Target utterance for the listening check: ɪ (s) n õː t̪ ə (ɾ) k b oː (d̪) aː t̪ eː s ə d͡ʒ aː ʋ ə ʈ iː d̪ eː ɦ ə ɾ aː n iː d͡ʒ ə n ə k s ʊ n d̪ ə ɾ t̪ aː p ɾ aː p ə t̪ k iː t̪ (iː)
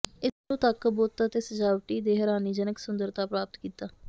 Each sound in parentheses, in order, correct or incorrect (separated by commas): correct, incorrect, incorrect, incorrect